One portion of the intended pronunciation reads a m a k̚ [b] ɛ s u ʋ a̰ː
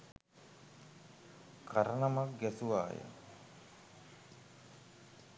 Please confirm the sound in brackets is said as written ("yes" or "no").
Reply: no